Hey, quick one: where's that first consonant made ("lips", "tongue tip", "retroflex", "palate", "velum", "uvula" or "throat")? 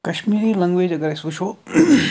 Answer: velum